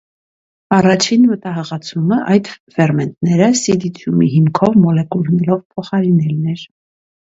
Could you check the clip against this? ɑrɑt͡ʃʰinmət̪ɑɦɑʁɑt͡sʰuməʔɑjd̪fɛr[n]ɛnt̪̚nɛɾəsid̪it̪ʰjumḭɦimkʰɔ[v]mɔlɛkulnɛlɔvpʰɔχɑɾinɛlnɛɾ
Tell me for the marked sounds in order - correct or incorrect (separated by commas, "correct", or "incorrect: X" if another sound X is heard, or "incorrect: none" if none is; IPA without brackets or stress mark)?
incorrect: m, correct